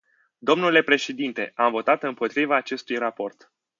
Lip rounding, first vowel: rounded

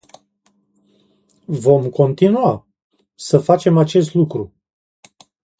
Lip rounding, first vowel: rounded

